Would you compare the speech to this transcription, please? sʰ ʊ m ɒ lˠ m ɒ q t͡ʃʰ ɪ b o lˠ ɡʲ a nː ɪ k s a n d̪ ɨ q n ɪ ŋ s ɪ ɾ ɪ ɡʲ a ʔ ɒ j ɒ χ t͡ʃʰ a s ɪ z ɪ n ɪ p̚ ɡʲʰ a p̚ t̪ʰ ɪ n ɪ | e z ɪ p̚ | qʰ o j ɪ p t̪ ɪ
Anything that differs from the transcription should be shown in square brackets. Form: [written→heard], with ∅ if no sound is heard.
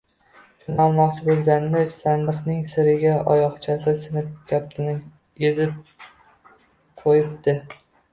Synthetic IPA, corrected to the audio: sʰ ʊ [m→n] ɒ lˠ m ɒ q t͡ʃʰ ɪ b o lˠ ɡʲ a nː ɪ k s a n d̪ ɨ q n ɪ ŋ s ɪ ɾ ɪ ɡʲ a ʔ ɒ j ɒ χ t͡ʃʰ a s ɪ [z→s] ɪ n ɪ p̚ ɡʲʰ a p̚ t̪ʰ ɪ n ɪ | e z ɪ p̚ | qʰ o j ɪ p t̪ ɪ